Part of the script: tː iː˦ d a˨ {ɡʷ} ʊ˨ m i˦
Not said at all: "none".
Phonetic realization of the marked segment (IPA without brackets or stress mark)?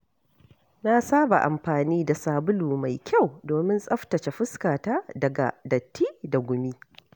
ɡʷ